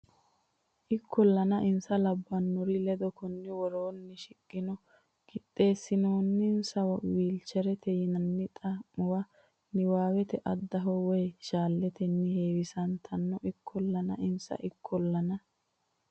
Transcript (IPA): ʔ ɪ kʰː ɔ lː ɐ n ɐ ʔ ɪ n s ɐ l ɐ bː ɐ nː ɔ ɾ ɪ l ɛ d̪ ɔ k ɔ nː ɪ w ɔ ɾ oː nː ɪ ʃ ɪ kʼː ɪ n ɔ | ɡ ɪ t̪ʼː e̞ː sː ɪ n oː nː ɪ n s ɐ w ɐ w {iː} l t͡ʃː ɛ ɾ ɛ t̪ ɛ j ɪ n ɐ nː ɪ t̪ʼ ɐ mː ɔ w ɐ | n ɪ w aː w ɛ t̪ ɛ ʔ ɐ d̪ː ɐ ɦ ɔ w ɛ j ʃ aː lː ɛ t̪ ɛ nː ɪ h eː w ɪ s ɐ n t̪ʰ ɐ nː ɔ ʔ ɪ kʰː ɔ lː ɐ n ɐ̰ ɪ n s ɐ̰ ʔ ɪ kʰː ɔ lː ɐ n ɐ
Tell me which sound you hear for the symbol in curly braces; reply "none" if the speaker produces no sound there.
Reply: iː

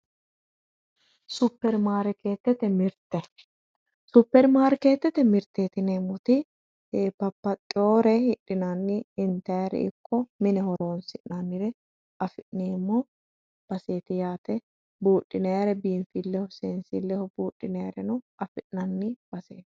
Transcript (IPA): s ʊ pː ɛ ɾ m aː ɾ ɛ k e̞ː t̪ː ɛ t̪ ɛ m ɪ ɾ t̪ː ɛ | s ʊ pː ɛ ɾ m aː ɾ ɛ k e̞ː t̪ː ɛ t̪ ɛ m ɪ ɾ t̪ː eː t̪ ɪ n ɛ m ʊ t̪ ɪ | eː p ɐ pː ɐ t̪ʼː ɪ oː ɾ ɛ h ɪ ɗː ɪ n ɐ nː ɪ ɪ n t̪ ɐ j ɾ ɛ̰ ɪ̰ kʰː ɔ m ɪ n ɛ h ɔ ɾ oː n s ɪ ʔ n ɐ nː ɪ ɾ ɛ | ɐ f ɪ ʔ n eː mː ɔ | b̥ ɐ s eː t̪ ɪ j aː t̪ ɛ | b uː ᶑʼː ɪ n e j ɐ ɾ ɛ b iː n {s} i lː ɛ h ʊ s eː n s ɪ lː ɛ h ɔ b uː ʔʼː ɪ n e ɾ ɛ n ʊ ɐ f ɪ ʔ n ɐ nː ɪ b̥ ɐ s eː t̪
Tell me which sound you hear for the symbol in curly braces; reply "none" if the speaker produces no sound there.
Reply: f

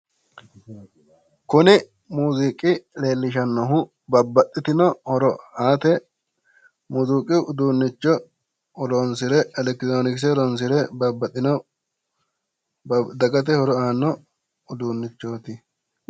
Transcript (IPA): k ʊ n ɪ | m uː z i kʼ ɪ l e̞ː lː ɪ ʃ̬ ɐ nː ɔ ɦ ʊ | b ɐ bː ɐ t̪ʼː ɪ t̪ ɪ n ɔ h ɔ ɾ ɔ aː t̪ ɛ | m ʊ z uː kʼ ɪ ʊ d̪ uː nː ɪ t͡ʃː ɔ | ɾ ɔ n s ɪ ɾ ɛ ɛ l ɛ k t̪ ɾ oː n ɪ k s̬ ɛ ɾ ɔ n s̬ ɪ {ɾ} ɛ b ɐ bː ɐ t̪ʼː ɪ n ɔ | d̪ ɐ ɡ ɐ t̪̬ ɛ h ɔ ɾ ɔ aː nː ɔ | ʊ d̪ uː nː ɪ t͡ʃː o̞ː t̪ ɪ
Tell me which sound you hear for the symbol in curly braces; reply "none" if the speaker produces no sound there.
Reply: ɾ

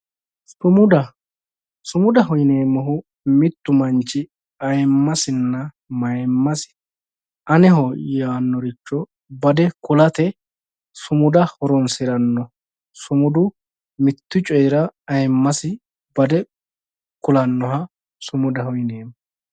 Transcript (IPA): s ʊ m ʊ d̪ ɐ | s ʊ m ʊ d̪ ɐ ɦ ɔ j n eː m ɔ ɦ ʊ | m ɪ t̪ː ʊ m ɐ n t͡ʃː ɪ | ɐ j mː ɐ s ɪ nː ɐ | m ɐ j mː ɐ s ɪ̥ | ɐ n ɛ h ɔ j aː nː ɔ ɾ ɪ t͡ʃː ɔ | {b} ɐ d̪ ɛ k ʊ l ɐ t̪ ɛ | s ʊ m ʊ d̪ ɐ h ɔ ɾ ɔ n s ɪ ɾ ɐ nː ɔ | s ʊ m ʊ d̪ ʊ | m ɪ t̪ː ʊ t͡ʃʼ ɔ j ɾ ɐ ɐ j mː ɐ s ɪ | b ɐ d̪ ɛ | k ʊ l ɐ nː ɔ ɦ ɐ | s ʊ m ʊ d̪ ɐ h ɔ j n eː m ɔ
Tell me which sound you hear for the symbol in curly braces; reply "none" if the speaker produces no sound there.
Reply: b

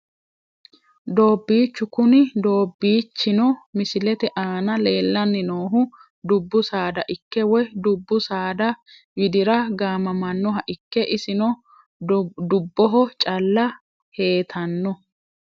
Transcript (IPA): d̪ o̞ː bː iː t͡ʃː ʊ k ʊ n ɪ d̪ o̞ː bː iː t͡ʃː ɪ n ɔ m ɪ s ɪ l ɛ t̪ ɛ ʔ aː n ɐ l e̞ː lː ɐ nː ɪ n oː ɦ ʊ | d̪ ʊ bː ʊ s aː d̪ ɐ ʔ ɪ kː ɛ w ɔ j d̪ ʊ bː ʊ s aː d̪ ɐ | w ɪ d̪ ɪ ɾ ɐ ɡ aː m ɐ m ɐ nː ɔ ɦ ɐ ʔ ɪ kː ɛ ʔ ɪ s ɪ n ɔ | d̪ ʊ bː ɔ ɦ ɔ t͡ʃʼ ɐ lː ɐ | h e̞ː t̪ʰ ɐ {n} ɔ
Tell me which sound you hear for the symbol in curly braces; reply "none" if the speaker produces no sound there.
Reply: nː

